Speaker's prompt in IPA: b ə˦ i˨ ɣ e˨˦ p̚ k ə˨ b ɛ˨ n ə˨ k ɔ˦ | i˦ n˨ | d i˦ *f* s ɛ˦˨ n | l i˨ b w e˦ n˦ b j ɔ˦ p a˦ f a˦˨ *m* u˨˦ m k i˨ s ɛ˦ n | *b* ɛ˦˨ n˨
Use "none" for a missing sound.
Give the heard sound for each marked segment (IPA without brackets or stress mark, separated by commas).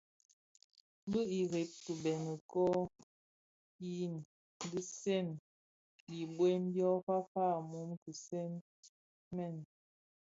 none, m, m